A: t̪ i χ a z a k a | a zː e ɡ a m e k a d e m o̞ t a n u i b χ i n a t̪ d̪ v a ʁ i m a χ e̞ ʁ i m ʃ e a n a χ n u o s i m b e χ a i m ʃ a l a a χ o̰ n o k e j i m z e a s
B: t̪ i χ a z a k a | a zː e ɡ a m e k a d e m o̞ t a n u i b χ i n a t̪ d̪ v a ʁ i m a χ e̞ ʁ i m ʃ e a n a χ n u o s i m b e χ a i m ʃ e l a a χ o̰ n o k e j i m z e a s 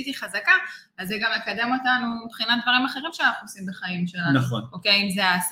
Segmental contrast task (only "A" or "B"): B